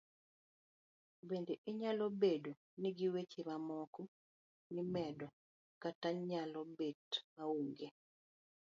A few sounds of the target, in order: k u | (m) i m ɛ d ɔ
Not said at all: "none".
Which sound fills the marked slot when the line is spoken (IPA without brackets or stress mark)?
n